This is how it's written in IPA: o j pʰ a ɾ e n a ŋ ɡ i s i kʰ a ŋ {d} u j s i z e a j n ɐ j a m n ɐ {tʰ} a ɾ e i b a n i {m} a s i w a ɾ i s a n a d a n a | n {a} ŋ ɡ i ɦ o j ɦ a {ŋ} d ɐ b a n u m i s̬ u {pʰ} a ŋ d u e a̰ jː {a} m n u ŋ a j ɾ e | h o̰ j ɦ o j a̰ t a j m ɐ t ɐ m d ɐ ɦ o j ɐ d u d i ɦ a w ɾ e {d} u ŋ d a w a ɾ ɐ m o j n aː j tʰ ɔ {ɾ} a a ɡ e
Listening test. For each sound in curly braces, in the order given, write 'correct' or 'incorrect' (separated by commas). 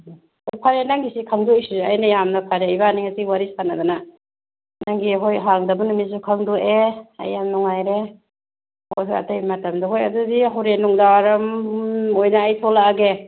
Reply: correct, incorrect, incorrect, correct, correct, incorrect, correct, incorrect, incorrect